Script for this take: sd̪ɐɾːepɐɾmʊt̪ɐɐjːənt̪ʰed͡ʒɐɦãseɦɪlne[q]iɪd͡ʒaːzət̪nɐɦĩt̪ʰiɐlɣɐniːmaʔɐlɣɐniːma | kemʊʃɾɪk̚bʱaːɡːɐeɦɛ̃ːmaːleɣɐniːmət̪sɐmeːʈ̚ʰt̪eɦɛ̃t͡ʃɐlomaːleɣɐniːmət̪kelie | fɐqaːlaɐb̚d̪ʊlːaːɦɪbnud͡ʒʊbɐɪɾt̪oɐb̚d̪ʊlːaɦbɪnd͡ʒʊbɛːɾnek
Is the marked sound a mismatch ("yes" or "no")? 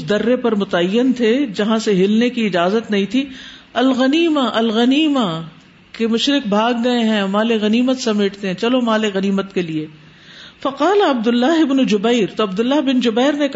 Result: yes